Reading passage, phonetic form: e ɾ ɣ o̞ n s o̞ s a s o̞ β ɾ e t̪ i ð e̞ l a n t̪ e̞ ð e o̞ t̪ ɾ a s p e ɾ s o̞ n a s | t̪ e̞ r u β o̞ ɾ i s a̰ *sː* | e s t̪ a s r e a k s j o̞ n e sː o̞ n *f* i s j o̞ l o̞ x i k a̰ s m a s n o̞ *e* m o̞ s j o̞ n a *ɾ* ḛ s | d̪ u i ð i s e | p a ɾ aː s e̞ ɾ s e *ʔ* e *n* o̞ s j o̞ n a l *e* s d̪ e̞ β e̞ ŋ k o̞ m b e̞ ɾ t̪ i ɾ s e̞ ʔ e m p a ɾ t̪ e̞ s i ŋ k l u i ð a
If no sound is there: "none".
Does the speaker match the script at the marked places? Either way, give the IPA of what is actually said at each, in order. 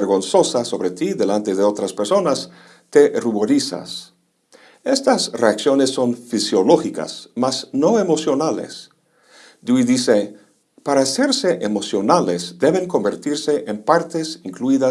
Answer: s, f, e, l, ʔ, m, e

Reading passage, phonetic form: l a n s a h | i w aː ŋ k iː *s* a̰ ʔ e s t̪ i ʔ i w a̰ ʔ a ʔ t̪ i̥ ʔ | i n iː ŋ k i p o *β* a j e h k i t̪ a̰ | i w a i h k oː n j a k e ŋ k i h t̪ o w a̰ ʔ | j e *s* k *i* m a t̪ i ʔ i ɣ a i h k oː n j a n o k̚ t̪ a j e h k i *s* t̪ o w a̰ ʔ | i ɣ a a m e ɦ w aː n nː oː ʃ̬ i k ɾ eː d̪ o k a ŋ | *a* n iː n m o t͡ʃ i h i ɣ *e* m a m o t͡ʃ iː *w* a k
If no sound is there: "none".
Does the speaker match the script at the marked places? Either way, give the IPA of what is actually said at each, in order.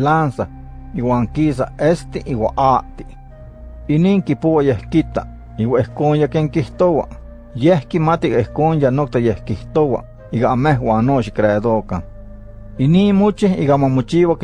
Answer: s, w, h, i, h, i, a, w

